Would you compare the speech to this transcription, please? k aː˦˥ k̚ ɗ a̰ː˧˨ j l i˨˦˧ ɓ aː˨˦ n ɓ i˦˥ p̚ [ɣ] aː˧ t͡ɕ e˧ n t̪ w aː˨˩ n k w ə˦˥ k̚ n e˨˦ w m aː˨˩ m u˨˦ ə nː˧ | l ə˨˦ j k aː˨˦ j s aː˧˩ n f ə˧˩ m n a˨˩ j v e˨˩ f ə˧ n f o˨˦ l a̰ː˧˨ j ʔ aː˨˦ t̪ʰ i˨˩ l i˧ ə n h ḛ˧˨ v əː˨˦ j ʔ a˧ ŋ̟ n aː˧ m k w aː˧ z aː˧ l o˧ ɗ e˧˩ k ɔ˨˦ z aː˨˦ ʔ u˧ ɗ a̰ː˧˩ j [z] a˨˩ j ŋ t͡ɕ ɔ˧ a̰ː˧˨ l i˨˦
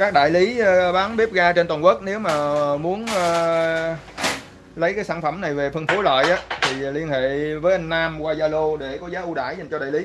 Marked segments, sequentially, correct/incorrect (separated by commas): correct, correct